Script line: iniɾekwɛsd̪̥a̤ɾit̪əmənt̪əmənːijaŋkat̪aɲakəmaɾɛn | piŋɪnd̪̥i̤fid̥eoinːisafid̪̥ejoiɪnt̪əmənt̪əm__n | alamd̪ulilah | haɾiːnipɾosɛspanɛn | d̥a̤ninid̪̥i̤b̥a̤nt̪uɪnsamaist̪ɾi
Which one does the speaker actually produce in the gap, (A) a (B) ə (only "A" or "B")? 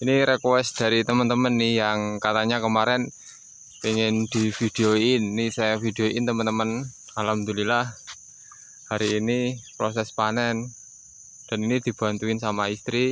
B